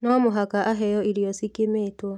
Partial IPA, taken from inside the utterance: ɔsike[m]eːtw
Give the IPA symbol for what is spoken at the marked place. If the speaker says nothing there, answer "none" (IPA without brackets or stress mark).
m